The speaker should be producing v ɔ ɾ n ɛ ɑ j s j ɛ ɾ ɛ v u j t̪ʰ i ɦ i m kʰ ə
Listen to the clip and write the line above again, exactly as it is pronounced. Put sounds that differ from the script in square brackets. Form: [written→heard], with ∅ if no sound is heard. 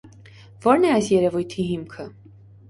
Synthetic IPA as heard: v ɔ ɾ n ɛ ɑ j s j ɛ ɾ ɛ v u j t̪ʰ i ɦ i m kʰ ə